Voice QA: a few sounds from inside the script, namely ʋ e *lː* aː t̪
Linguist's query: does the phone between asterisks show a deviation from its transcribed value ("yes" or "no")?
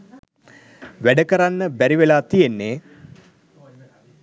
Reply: yes